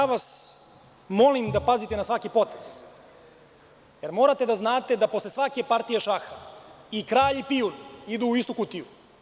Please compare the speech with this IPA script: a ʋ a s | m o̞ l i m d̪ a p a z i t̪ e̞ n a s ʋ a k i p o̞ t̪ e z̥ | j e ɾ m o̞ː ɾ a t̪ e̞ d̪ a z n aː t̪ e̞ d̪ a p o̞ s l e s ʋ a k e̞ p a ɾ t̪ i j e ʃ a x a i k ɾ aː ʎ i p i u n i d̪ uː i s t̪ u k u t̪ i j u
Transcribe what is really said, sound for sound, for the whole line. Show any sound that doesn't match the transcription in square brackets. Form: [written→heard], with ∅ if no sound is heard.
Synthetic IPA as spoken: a ʋ a s | m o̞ l i m d̪ a p a z i t̪ e̞ n a s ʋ a k i p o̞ t̪ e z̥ | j e ɾ m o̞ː ɾ a t̪ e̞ d̪ a z n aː t̪ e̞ d̪ a p o̞ s l e s ʋ a k e̞ p a ɾ t̪ i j e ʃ a x a i k ɾ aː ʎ i p i u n i d̪ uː i s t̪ u k u t̪ i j u